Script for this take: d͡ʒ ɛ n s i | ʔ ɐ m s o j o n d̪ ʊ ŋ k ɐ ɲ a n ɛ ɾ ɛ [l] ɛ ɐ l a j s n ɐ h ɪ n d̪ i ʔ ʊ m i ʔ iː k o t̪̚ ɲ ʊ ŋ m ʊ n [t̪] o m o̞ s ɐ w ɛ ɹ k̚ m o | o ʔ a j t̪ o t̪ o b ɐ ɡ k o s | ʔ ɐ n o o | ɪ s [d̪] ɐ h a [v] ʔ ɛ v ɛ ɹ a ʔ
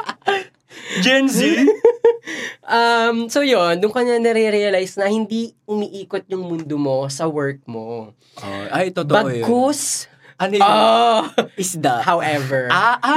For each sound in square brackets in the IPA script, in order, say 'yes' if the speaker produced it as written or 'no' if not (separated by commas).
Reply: no, no, yes, no